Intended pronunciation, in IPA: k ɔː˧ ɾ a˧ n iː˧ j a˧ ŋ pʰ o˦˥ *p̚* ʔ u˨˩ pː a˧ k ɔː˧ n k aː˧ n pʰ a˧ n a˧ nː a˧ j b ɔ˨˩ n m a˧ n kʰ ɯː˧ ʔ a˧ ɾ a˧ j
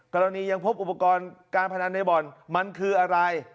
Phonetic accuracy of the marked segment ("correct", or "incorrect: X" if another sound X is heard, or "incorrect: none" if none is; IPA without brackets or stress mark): correct